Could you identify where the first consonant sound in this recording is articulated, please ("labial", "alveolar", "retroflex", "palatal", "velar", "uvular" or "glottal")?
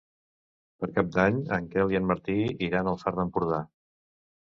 labial